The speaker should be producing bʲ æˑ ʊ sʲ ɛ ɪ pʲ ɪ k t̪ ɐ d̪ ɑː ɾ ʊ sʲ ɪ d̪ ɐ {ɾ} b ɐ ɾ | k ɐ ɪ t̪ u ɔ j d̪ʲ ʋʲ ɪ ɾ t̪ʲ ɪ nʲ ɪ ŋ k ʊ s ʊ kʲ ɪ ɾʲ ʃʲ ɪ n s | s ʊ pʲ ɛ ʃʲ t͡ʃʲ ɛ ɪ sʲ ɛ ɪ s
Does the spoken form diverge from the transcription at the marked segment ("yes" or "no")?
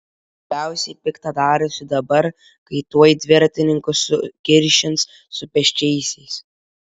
yes